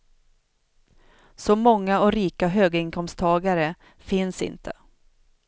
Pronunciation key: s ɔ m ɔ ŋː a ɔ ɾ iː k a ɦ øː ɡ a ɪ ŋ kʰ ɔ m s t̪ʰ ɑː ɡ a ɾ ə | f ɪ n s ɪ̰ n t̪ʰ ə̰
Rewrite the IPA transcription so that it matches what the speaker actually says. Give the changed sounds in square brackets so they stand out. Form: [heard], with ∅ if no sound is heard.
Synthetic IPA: s ɔ m ɔ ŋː a ɔ ɾ iː k a ɦ øː ɡ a ɪ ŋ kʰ ɔ m s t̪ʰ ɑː ɡ a ɾ ə | f ɪ n s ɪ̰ n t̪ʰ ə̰